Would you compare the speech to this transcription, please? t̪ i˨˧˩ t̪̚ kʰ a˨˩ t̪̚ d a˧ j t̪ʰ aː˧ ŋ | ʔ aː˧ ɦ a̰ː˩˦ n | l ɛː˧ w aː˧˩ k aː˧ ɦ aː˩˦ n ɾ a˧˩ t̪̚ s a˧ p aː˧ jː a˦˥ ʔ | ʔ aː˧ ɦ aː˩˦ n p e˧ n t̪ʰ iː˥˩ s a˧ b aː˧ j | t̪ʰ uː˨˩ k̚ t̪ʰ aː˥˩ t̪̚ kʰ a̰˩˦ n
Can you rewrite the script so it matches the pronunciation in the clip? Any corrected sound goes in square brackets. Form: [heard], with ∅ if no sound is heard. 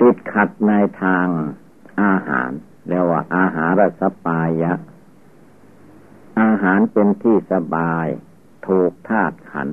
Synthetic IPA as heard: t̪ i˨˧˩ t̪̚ kʰ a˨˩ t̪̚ [n] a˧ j t̪ʰ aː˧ ŋ | ʔ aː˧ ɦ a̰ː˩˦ n | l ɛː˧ w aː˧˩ [ʔ] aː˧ ɦ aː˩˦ n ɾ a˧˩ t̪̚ s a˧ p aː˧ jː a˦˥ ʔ | ʔ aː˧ ɦ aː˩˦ n p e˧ n t̪ʰ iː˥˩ s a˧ b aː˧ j | t̪ʰ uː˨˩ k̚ t̪ʰ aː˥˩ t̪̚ kʰ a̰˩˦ n